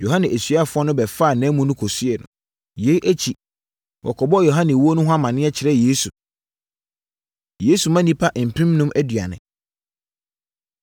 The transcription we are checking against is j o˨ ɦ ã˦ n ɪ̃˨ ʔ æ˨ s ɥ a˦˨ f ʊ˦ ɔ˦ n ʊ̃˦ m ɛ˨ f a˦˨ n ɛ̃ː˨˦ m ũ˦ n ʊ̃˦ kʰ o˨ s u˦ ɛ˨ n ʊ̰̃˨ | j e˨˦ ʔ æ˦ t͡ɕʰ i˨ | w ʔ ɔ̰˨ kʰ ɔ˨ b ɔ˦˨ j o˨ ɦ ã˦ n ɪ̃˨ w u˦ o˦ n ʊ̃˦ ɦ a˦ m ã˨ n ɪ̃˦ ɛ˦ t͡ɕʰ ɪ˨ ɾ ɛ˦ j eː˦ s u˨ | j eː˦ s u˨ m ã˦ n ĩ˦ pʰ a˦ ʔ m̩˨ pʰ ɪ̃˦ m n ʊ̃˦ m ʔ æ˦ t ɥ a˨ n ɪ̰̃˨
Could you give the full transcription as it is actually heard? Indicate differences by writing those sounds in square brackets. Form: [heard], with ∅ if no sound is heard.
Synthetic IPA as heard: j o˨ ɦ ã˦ n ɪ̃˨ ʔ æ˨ s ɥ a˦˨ f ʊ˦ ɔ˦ n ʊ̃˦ [b] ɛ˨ f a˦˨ n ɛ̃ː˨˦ m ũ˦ n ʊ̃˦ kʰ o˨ s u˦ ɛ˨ n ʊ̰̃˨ | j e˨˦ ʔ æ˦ t͡ɕʰ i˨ | w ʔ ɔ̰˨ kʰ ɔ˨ b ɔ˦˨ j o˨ ɦ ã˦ n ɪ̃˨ w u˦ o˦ n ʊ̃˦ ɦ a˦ m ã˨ n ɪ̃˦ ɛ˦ t͡ɕʰ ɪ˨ ɾ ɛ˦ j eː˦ s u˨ | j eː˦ s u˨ m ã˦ n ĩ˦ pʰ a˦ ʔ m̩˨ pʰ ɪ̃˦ m n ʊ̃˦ m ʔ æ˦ [d] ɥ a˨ n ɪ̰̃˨